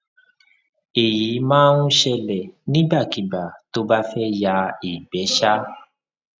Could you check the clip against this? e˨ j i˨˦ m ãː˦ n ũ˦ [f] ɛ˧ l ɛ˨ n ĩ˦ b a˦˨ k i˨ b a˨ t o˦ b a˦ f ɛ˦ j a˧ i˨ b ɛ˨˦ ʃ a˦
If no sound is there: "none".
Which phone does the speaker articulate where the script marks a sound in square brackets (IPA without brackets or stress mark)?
ʃ